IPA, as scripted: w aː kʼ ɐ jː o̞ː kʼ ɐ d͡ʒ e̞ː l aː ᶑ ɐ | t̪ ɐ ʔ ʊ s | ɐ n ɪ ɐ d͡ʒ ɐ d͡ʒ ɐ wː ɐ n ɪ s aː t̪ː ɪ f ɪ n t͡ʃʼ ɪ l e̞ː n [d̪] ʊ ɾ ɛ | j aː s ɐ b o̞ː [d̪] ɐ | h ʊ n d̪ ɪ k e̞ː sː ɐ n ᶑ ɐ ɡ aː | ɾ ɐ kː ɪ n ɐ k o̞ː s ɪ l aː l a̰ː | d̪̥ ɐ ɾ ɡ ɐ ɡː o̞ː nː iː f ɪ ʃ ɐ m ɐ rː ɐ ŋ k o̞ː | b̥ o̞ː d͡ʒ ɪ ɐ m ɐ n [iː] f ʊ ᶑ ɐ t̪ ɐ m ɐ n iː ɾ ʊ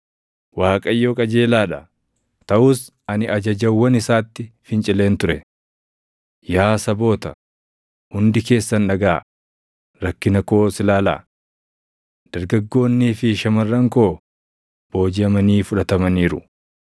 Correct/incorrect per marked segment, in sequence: incorrect: t̪, incorrect: t̪, correct

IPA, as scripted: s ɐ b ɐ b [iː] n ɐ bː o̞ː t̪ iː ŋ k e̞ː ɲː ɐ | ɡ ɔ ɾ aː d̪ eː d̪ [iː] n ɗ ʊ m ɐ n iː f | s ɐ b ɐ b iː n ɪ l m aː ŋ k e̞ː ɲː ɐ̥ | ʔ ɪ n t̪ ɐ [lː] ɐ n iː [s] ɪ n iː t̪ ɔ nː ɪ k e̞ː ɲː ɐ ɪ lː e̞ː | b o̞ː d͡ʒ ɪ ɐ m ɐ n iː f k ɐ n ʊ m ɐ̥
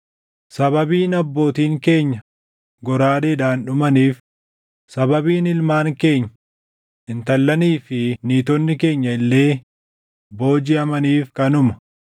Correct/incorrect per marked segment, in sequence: correct, incorrect: aː, correct, incorrect: f

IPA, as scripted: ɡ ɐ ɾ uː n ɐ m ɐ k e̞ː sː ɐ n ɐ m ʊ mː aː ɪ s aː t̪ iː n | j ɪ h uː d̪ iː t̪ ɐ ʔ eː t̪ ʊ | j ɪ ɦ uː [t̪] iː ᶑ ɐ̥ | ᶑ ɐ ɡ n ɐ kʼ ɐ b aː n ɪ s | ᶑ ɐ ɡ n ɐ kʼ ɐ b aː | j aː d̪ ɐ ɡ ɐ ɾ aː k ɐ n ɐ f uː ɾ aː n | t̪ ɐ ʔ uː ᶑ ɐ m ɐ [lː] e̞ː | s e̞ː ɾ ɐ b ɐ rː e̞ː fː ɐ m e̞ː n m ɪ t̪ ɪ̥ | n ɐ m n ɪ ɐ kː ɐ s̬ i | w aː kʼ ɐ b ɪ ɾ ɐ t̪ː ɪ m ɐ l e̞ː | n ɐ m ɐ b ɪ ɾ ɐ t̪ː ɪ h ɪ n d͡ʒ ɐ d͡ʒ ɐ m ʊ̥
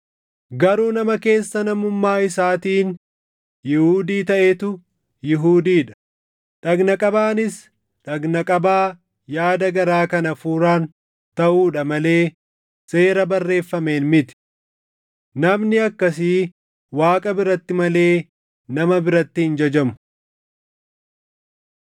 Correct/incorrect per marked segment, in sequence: incorrect: d̪, incorrect: l

